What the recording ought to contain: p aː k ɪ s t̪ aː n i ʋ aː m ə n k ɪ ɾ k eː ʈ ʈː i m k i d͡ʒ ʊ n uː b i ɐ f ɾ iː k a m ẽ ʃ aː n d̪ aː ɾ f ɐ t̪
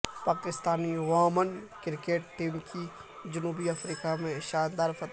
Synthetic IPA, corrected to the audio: p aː k ɪ s t̪ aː n i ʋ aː m ə n k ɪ ɾ k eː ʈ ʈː iː m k i d͡ʒ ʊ n uː b i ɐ f ɾ iː k a m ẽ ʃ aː n d̪ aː ɾ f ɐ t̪